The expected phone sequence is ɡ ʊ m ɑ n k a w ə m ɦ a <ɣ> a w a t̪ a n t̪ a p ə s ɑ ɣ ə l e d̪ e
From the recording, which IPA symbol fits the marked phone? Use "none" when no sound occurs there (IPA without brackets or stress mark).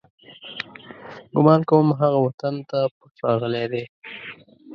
ɣ